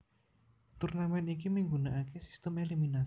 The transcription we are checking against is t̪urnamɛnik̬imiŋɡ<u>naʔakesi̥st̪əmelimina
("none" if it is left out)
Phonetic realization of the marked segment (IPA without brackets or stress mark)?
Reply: u